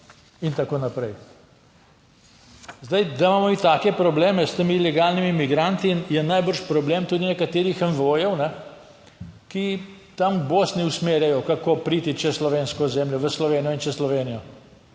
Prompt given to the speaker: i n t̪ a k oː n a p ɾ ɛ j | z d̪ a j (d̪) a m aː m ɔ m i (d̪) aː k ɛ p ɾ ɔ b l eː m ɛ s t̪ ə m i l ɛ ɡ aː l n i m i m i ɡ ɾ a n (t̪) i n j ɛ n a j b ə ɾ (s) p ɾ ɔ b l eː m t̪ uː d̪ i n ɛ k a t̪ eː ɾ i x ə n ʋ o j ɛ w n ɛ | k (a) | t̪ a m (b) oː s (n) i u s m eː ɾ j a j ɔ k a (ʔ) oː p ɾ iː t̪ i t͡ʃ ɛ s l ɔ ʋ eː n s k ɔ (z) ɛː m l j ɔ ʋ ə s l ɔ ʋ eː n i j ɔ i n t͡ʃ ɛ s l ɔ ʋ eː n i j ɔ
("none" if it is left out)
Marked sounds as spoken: d̪, t̪, t̪, ʃ, i, b, n, k, z

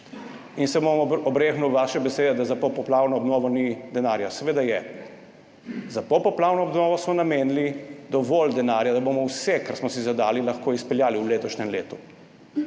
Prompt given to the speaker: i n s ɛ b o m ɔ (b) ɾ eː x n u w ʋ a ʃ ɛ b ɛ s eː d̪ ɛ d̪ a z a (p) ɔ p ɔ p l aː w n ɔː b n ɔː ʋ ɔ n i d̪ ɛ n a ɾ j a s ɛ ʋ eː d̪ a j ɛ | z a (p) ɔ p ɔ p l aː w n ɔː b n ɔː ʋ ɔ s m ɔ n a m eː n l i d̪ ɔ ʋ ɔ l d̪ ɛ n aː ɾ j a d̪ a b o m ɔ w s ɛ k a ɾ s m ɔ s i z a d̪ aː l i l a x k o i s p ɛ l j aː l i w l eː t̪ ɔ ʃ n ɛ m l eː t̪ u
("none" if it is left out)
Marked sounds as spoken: b, p, p

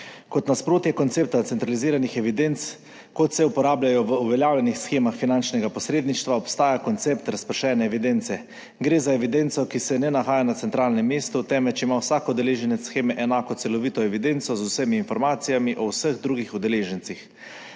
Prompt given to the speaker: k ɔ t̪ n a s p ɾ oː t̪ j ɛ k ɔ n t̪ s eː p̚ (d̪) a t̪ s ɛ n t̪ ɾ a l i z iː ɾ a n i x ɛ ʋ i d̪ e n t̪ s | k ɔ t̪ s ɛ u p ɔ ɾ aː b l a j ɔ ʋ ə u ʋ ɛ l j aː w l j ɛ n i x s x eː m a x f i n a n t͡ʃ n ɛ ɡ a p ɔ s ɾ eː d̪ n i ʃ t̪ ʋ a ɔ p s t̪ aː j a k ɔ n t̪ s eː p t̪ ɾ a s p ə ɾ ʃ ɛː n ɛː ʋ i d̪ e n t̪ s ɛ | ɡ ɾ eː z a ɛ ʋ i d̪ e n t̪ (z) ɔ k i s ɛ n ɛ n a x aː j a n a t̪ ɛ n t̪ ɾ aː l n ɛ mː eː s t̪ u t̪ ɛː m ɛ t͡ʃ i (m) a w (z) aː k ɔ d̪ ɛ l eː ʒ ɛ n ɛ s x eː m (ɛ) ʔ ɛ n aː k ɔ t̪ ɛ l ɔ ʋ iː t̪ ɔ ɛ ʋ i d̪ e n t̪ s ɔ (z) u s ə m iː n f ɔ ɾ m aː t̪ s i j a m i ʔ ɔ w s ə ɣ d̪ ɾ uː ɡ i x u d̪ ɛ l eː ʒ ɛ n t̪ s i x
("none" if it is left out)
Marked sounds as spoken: t̪, s, m, s, ɛ, z

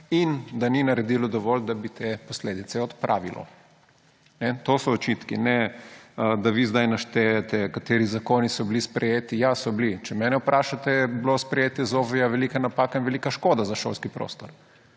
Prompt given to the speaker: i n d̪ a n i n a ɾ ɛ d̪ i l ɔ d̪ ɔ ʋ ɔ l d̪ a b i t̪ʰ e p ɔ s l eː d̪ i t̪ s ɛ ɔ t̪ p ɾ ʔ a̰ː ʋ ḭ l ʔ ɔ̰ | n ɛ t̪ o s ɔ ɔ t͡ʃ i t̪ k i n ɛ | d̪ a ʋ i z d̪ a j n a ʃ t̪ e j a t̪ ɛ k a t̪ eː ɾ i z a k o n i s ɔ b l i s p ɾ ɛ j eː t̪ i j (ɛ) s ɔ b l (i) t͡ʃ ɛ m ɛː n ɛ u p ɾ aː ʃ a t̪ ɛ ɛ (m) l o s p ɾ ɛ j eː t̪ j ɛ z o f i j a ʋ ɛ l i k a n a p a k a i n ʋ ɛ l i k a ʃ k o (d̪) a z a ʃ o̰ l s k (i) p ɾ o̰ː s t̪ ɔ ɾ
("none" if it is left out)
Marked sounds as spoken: a, i, b, d̪, i

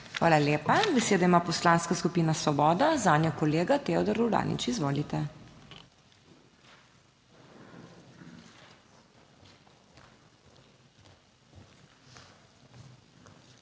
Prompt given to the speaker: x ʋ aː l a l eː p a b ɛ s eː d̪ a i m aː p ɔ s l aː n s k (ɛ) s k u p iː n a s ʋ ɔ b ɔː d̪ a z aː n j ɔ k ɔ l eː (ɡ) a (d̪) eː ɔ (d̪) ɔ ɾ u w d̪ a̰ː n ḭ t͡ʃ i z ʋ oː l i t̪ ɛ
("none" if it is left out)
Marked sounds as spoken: a, ɡ, t̪, d̪

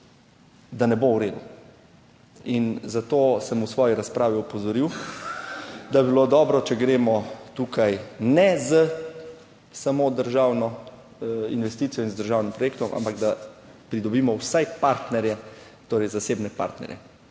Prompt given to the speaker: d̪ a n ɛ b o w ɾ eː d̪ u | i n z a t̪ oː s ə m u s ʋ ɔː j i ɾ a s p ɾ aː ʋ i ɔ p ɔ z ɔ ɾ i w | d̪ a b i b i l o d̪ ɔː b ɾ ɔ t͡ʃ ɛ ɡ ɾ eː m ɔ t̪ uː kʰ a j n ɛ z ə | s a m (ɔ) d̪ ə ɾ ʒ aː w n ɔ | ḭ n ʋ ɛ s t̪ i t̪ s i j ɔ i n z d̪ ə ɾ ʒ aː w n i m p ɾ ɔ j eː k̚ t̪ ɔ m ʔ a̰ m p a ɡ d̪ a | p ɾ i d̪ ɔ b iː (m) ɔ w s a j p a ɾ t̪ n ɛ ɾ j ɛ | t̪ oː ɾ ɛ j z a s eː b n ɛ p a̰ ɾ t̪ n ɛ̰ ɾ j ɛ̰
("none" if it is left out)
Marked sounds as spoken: o, m

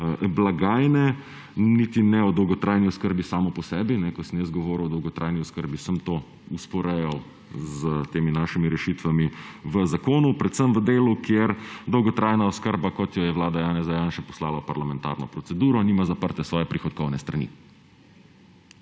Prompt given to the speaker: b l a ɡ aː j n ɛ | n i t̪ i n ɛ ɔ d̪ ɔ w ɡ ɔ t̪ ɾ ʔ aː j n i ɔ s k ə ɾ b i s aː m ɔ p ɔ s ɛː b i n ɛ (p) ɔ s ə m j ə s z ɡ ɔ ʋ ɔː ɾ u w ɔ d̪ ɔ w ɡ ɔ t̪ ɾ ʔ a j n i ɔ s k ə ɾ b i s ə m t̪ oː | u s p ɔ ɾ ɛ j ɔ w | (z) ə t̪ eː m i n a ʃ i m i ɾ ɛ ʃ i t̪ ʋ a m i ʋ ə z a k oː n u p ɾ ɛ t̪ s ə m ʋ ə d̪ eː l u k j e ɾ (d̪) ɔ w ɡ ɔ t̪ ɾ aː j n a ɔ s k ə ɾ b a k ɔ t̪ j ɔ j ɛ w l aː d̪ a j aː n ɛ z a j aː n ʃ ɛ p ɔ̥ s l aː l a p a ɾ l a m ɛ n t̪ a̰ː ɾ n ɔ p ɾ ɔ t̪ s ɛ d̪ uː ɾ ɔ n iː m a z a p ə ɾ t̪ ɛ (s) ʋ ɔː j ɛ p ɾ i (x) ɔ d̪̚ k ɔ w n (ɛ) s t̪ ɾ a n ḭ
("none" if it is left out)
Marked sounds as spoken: k, z, d̪, s, x, ɛ

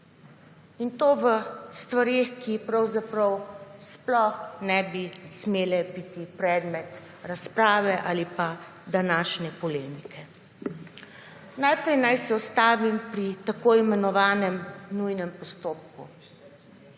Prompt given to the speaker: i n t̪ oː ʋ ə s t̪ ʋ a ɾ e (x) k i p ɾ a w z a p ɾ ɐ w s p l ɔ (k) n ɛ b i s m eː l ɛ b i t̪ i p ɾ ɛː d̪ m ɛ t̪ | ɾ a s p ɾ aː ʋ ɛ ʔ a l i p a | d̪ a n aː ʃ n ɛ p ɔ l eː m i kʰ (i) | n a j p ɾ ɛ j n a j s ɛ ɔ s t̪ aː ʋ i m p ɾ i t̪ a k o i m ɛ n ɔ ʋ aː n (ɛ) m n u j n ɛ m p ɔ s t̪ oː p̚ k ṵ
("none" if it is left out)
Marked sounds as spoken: x, x, ɛ, ɛ

